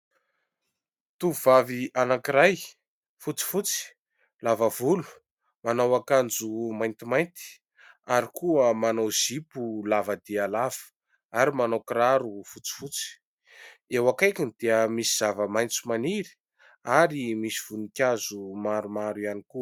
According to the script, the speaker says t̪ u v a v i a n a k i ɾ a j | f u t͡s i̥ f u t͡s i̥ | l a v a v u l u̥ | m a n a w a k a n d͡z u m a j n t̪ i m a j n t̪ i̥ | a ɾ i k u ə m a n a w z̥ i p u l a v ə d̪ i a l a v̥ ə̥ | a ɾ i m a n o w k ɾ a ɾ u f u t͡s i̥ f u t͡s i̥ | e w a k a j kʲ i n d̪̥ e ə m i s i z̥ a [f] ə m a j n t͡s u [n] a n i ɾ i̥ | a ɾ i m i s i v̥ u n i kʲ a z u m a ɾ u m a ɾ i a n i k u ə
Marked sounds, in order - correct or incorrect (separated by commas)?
incorrect, incorrect